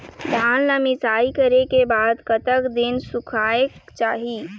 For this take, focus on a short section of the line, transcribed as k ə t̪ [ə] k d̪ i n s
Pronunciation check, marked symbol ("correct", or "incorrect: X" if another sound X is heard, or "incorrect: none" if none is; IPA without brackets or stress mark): correct